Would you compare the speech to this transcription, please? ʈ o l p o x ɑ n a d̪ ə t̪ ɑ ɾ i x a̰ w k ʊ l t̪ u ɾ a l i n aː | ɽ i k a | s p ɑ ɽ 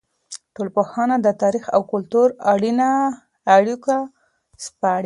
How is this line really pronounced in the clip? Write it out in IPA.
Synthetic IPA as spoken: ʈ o l p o x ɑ n a d̪ ə t̪ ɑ ɾ i x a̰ w k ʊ l t̪ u ɾ a ɽ i n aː | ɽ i k a | s p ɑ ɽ